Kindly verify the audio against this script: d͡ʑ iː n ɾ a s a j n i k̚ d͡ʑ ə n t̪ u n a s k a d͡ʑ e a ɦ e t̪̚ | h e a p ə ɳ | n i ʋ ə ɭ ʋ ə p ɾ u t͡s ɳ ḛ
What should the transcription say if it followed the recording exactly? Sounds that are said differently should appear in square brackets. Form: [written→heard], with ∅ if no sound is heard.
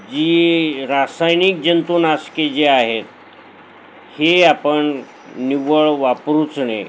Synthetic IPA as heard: d͡ʑ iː [n→∅] ɾ a s a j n i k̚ d͡ʑ ə n t̪ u n a s k [a→e] d͡ʑ e a ɦ e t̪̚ | h e a p ə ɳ | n i ʋ ə ɭ ʋ [ə→a] p ɾ u t͡s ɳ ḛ

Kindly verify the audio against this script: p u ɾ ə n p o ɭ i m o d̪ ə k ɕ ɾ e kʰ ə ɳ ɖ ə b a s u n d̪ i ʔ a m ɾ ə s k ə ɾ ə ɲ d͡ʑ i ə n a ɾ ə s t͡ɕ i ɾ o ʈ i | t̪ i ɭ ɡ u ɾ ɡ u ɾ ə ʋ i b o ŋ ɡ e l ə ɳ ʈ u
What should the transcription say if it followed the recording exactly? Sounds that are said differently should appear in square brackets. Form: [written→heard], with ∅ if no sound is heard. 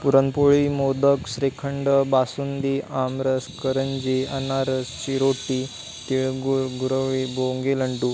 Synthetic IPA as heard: p u ɾ ə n p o ɭ i m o d̪ ə k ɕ ɾ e kʰ ə ɳ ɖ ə b a s u n d̪ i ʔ a m ɾ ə s k ə ɾ ə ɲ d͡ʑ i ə n a ɾ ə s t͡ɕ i ɾ o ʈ i | t̪ i ɭ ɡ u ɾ ɡ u ɾ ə ʋ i b o ŋ ɡ e l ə ɳ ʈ u

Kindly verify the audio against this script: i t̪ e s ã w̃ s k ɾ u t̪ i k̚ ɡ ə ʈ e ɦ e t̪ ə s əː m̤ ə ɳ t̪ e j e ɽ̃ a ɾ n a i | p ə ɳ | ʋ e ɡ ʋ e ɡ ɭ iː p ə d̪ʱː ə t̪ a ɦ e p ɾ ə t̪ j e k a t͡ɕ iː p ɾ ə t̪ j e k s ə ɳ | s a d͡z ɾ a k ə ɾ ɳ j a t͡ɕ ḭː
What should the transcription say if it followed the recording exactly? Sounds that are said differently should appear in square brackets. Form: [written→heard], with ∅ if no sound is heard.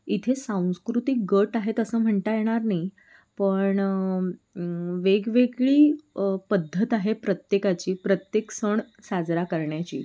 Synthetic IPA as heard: i [t̪→t̪ʰ] e s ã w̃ s k ɾ u t̪ i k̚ ɡ ə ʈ [e→a] ɦ e t̪ ə s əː m̤ ə ɳ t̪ [e→a] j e ɽ̃ a ɾ n a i | p ə ɳ | ʋ e ɡ ʋ e ɡ ɭ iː p ə d̪ʱː ə t̪ a ɦ e p ɾ ə t̪ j e k a t͡ɕ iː p ɾ ə t̪ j e k s ə ɳ | s a d͡z ɾ a k ə ɾ ɳ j a t͡ɕ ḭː

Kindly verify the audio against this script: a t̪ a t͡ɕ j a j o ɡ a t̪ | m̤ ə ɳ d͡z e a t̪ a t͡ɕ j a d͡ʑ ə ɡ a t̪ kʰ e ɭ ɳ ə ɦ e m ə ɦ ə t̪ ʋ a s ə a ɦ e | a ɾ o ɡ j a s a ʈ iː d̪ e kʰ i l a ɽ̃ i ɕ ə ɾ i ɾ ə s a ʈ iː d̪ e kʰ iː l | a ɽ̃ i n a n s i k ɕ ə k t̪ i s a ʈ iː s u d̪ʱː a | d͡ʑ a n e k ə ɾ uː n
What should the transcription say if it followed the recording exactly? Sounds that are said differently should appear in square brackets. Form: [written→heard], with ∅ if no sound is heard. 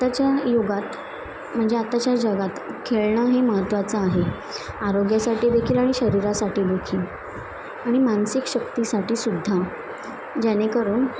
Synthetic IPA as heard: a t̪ a t͡ɕ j a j o ɡ a t̪ | m̤ ə ɳ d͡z e a t̪ a t͡ɕ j a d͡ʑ ə ɡ a t̪ kʰ e ɭ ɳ ə ɦ e m ə ɦ ə t̪ ʋ a [s→t͡s] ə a ɦ e | a ɾ o ɡ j a s a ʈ iː d̪ e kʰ [i→iː] l a ɽ̃ i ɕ ə ɾ i ɾ [ə→a] s a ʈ iː d̪ e kʰ iː l | a ɽ̃ i [n→m] a n s i k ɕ ə k t̪ i s a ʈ iː s u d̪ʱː a | d͡ʑ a n e k ə ɾ uː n

